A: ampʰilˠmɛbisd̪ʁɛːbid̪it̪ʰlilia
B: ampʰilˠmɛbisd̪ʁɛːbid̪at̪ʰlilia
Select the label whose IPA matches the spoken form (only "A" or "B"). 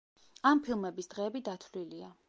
B